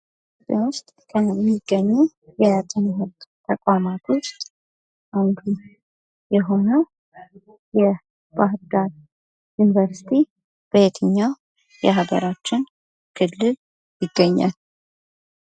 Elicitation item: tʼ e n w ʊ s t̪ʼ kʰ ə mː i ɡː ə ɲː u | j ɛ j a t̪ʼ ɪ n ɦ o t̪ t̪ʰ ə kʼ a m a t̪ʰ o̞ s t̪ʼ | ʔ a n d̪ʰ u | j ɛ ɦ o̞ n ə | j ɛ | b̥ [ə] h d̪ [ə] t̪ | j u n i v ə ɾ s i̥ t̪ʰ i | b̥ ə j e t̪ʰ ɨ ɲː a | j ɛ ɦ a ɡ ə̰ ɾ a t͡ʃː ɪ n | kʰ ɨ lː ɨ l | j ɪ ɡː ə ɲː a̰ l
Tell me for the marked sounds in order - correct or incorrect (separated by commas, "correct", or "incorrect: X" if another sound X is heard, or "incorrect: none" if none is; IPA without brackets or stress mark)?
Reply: incorrect: a, incorrect: a